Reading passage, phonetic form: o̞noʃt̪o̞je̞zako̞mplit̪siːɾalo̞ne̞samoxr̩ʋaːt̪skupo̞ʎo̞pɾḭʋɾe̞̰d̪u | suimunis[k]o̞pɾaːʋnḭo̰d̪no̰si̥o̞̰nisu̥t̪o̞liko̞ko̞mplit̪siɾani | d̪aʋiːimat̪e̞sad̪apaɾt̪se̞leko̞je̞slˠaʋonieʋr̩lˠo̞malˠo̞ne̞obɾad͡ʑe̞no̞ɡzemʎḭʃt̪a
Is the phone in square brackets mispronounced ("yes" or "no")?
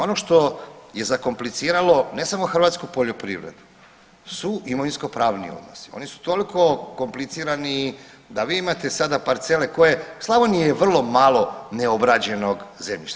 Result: no